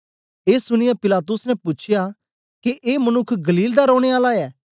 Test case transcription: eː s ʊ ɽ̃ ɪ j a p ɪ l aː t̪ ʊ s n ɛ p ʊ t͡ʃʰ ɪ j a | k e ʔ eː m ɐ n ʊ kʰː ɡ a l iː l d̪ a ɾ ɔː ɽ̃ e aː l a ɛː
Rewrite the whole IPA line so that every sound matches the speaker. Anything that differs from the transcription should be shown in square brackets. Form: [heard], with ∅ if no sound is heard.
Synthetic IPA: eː s ʊ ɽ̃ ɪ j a p ɪ l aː t̪ ʊ s n ɛ p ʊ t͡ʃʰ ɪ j a | k e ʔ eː m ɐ n ʊ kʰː ɡ [ɐ] l iː l d̪ a ɾ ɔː ɽ̃ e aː l a ɛː

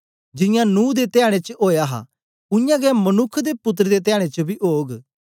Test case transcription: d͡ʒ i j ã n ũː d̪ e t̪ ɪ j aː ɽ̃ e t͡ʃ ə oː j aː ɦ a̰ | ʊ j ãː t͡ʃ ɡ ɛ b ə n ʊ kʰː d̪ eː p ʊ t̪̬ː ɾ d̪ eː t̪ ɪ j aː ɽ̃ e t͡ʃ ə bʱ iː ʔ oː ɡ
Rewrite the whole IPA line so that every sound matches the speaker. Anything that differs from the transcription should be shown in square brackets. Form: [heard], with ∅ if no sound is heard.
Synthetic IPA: d͡ʒ [ɪ] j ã n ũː d̪ e t̪ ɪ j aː ɽ̃ e t͡ʃ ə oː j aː ɦ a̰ | ʊ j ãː [∅] ɡ ɛ [m] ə n ʊ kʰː d̪ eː p ʊ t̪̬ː ɾ d̪ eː t̪ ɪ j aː ɽ̃ e t͡ʃ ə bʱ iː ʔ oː ɡ

